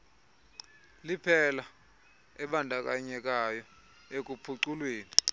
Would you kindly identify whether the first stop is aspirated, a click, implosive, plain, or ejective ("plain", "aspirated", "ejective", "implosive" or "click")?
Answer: aspirated